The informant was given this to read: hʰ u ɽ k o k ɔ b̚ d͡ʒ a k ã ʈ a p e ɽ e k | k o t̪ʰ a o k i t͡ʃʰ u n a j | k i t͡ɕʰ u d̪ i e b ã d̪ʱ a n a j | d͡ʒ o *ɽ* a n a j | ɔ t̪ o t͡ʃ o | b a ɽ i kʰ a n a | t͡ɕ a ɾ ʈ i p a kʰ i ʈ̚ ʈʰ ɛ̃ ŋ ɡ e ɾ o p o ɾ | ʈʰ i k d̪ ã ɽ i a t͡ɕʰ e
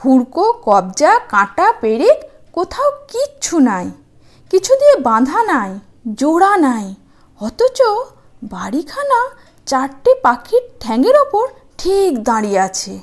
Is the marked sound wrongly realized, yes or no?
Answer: no